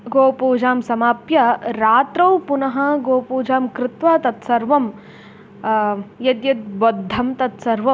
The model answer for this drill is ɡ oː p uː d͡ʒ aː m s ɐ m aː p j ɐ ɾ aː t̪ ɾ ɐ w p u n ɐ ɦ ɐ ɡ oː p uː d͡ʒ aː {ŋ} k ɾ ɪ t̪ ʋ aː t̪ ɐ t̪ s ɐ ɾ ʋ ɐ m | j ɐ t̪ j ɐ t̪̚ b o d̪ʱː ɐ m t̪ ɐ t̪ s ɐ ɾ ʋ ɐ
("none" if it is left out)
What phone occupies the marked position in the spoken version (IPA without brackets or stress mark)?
m